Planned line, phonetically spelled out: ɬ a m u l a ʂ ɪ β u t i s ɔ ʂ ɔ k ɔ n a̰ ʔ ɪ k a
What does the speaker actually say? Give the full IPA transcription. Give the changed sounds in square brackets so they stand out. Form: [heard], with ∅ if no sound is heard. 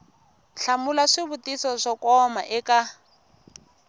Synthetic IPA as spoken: ɬ a m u l a ʂ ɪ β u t i s ɔ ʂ ɔ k ɔ [m] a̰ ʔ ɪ k a